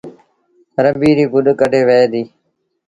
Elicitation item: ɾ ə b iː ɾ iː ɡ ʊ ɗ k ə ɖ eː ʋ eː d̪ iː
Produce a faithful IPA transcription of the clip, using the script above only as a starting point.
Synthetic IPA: ɾ ə b iː ɾ iː ɡ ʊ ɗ k ə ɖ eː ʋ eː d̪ iː